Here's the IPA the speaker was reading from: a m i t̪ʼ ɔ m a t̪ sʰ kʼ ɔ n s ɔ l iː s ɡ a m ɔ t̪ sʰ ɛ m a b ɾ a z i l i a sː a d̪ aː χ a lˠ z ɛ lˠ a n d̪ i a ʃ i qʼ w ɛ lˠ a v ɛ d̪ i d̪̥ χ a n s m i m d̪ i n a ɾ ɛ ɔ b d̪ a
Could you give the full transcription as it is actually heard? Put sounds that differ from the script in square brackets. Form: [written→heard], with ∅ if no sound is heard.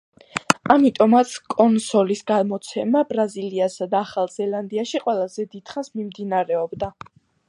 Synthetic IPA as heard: a m i t̪ʼ ɔ m a t̪ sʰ kʼ ɔ n s ɔ l [iː→i] s ɡ a m ɔ t̪ sʰ ɛ m a b ɾ a z i l i a [sː→s] a d̪ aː χ a lˠ z ɛ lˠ a n d̪ i a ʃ i qʼ w ɛ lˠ a [v→z] ɛ d̪ i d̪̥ χ a n s m i m d̪ i n a ɾ ɛ ɔ b d̪ a

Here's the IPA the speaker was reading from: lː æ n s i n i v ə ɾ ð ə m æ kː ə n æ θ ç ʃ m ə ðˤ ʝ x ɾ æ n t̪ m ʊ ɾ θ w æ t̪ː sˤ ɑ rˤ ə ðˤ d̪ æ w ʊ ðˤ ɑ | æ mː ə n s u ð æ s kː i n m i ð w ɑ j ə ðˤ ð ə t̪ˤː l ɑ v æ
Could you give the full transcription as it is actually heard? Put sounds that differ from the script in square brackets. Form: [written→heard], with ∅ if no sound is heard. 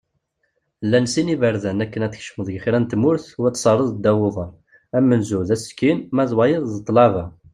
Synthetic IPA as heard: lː æ n s i n i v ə ɾ ð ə [m→n] æ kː ə n æ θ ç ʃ m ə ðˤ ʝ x ɾ æ n t̪ m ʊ ɾ θ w æ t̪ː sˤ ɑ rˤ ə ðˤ d̪ æ w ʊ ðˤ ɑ | æ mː ə n [s→z] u ð æ s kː i n m [i→æ] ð w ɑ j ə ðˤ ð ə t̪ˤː l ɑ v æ

